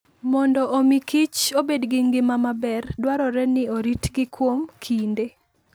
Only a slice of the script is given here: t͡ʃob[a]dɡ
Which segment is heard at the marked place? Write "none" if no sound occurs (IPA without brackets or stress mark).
e